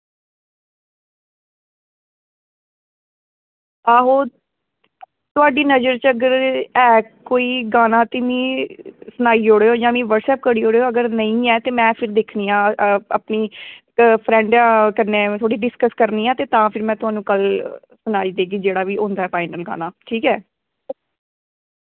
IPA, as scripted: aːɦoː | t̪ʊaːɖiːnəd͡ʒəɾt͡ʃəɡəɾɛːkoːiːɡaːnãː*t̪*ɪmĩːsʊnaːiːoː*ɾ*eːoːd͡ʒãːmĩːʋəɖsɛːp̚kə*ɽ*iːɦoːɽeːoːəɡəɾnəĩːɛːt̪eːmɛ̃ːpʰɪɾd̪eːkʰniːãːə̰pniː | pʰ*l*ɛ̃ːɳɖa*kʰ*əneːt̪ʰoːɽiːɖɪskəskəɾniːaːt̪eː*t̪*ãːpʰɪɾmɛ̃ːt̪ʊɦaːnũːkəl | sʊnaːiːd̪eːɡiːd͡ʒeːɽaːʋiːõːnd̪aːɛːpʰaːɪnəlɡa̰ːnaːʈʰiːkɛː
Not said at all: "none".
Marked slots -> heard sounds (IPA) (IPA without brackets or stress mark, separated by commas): t̪, ɽ, ɽ, ɾ, k, t̪